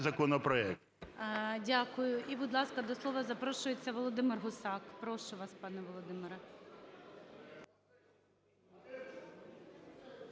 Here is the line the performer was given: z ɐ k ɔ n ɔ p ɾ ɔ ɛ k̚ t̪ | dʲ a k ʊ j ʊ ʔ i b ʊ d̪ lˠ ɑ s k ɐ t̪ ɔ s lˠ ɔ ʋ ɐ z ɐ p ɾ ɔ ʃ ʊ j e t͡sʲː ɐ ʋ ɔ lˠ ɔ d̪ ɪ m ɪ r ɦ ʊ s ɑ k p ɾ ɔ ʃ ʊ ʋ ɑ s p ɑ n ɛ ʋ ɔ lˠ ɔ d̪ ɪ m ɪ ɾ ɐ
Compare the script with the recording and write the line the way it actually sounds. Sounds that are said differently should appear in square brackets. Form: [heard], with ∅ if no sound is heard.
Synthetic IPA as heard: z ɐ k ɔ n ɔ p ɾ ɔ ɛ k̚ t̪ | dʲ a k ʊ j ʊ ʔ i b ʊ d̪ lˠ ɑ s k ɐ [d̪] ɔ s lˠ ɔ ʋ ɐ z ɐ p ɾ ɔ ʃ ʊ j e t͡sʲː ɐ ʋ ɔ lˠ ɔ d̪ ɪ m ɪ r ɦ ʊ s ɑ k p ɾ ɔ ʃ ʊ ʋ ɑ s p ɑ n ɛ ʋ ɔ lˠ ɔ d̪ ɪ m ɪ ɾ ɐ

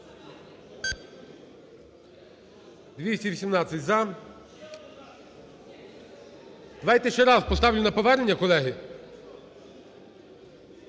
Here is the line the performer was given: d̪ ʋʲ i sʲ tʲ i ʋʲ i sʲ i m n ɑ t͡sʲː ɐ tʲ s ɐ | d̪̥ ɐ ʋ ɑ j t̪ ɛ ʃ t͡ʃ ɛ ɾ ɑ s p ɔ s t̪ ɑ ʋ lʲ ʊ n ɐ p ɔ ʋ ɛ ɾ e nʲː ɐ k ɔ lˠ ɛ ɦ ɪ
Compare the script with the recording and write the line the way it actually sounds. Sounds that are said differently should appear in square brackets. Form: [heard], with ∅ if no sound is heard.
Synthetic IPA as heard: d̪ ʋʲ i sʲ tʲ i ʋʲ i sʲ i m n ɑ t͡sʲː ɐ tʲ [z] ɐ | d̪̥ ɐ ʋ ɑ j t̪ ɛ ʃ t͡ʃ ɛ ɾ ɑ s p ɔ s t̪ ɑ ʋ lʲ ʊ n ɐ p ɔ ʋ ɛ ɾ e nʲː ɐ k ɔ lˠ ɛ ɦ ɪ

